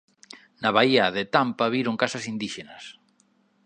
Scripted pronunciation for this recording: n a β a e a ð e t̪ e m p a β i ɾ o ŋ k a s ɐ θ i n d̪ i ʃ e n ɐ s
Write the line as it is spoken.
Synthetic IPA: n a β a i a ð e t̪ a m p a β i ɾ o ŋ k a s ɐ s i n d̪ i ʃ e n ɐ s

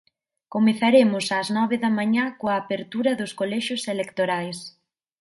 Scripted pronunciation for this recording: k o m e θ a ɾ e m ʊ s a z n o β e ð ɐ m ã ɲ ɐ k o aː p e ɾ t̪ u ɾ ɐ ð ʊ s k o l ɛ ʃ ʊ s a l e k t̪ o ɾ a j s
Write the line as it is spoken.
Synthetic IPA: k o m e θ a ɾ e m ʊ s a z n ɔ β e ð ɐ m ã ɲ a k o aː p e ɾ t̪ u ɾ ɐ ð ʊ s k o l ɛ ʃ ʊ s e l e k t̪ o ɾ a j s

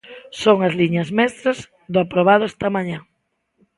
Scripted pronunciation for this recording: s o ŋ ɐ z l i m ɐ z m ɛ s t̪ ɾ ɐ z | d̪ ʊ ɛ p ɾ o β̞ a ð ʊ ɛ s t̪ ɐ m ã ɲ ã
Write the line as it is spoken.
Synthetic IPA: s o ŋ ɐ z l i ɲ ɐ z m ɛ s t̪ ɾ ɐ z | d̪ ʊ a p ɾ o β̞ a ð ʊ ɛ s t̪ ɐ m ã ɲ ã

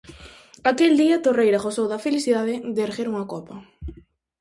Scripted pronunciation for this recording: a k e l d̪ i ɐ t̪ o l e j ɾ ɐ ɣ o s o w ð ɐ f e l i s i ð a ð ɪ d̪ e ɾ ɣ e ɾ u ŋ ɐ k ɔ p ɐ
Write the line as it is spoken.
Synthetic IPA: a k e l d̪ i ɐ t̪ o r e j ɾ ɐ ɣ o s o w ð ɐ f e l i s i ð a ð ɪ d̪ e ɾ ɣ e ɾ u ŋ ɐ k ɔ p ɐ

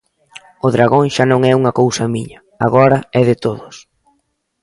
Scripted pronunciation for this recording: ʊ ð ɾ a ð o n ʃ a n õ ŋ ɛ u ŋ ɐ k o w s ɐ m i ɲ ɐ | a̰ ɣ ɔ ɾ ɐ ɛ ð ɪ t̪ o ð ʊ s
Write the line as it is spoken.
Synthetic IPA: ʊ ð ɾ a ɣ o ŋ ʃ a n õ ŋ ɛ u ŋ ɐ k o w s ɐ m i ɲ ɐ | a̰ ɣ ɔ ɾ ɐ ɛ ð ɪ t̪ o ð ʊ s

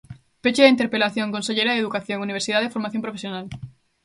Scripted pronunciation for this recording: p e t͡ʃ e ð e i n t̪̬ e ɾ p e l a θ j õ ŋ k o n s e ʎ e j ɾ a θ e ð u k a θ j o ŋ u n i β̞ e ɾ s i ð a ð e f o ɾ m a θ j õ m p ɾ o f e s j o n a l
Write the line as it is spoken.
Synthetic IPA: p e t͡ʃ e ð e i n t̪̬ e ɾ p e l a θ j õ ŋ k o n s e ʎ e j ɾ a ð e ð u k a θ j o ŋ u n i β̞ e ɾ s i ð a ð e f o ɾ m a θ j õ m p ɾ o f e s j o n a l

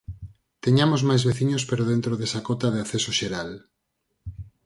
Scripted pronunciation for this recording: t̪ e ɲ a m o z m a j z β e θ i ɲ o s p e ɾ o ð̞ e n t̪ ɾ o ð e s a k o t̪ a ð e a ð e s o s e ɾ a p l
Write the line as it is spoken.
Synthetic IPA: t̪ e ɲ a m o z m a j z β e θ i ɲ o s p e ɾ o ð̞ e n t̪ ɾ o ð e s a k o t̪ a ð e a θ e s o ʃ e ɾ a l

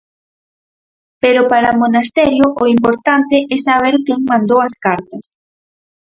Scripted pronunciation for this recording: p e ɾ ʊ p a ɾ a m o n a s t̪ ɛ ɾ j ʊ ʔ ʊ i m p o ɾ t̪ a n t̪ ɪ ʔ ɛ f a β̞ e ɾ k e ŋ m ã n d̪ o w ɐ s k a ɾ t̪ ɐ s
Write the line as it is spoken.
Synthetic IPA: p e ɾ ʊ p a ɾ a m o n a s t̪ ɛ ɾ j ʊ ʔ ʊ i m p o ɾ t̪ a n t̪ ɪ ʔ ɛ s a β̞ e ɾ k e ŋ m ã n d̪ o w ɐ s k a ɾ t̪ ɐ s

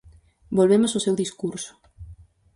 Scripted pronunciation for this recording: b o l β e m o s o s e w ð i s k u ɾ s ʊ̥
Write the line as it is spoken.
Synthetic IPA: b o l β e m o s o s e w ð i s k u ɾ s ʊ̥

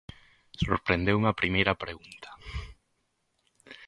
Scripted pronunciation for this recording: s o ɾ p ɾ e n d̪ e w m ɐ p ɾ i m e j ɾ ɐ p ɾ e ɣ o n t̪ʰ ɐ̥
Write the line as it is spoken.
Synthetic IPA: s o ɾ p ɾ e n d̪ e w m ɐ p ɾ i m e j ɾ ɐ p ɾ e ɣ u n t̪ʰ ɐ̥

